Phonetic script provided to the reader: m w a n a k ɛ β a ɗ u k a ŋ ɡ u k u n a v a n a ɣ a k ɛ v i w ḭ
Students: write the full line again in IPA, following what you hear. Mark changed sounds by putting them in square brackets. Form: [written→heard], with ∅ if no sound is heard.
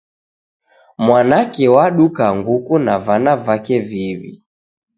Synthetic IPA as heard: m w a n a k ɛ [β→w] a ɗ u k a ŋ ɡ u k u n a v a n a [ɣ→v] a k ɛ v i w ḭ